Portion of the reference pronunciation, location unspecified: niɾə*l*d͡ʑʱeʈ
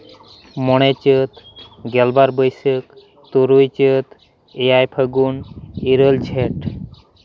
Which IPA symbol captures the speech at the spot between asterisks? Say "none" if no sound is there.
l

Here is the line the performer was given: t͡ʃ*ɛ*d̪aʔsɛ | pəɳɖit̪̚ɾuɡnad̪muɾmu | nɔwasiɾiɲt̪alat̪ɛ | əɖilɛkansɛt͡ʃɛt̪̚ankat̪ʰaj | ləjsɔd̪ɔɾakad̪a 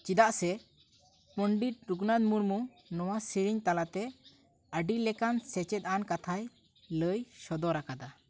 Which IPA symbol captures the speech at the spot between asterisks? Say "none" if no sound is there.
i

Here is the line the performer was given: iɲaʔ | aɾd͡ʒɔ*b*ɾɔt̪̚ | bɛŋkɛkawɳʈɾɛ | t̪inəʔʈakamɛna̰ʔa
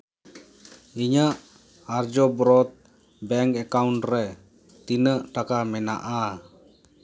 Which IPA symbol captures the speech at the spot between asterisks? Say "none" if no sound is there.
b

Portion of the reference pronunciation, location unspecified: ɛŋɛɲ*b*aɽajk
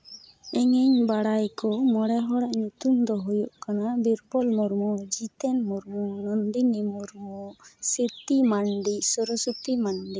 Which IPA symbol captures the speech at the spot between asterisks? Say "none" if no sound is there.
b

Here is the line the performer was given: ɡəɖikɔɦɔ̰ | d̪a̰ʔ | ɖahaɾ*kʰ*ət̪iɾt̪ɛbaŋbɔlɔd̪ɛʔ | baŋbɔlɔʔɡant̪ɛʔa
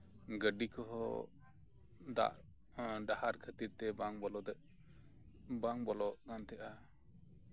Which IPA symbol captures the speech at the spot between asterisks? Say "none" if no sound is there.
kʰ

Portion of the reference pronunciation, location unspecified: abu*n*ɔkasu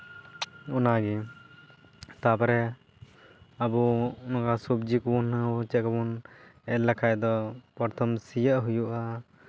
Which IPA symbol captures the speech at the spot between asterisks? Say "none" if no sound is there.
n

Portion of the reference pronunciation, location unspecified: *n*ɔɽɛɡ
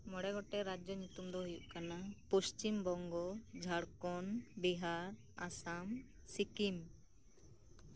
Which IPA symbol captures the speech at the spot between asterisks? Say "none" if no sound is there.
m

